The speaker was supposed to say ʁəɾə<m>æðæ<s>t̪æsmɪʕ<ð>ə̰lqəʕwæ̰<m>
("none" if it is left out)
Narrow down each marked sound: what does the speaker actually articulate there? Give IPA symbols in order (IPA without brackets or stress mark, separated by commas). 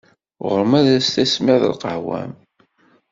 m, s, ð, m